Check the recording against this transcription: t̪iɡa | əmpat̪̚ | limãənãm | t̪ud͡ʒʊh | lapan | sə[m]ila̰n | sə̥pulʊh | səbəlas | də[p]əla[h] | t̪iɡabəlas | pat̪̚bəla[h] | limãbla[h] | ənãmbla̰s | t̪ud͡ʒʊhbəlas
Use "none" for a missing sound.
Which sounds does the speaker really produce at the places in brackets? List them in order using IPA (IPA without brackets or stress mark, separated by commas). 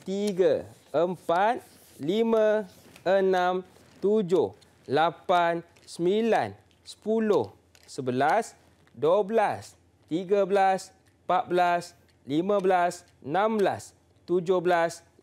m, b, s, s, s